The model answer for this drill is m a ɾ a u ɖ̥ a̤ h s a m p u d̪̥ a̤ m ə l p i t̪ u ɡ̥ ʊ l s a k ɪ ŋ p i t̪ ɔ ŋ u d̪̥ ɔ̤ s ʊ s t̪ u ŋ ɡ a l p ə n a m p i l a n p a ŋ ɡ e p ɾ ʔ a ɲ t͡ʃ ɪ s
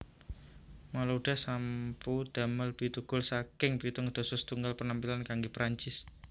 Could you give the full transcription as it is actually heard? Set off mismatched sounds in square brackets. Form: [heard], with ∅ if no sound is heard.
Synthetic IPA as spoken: m a [l] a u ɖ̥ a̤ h s a m p u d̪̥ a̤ m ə l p i t̪ u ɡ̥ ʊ l s a k ɪ ŋ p i t̪ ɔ ŋ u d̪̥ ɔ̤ s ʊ s t̪ u ŋ ɡ a l p ə n a m p i l a n [k] a ŋ ɡ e p ɾ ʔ a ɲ t͡ʃ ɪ s